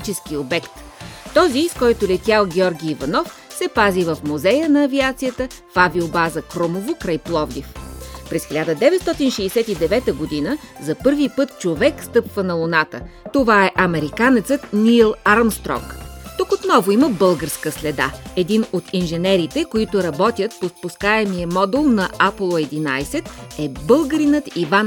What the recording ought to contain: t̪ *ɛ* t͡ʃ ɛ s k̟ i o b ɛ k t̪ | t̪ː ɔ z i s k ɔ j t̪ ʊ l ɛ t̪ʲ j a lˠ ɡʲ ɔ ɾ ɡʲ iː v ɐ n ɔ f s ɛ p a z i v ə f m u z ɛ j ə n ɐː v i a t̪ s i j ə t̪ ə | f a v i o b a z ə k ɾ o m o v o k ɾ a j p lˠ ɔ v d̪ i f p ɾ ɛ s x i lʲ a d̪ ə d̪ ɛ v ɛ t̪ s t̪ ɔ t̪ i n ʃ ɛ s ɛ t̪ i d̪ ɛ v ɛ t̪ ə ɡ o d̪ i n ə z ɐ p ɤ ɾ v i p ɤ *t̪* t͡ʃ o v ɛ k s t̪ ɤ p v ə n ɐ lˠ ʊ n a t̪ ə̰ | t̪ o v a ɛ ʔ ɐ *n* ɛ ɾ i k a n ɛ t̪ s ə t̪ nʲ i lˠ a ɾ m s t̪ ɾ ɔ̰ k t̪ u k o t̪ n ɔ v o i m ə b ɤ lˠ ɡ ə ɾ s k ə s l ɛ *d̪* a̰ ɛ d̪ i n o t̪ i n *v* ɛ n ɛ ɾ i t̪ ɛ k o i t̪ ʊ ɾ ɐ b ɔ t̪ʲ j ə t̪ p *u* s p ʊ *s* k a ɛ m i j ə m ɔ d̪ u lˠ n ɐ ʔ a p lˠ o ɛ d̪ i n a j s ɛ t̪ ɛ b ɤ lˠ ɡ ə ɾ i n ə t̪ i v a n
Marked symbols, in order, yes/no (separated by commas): no, yes, no, yes, no, no, yes